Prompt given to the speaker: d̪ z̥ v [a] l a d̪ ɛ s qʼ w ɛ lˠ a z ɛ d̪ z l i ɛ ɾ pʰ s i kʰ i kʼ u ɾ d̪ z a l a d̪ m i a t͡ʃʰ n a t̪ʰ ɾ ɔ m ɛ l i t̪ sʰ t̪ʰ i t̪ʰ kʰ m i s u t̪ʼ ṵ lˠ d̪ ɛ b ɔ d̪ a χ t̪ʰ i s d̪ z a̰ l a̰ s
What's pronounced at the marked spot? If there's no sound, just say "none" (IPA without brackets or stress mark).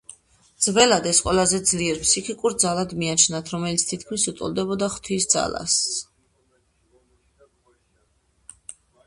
ɛ